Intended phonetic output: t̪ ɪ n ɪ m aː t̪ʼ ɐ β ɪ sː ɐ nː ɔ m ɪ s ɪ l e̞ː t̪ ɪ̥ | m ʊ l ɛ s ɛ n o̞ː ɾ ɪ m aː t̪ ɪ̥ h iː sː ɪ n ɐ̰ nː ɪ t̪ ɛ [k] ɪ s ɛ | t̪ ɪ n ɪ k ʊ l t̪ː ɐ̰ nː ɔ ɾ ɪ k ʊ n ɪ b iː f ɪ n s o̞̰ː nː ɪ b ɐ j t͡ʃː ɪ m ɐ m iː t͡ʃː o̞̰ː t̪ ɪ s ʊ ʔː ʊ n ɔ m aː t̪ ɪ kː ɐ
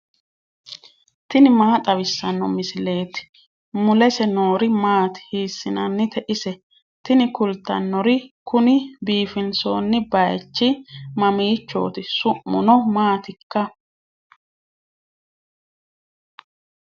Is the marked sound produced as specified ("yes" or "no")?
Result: no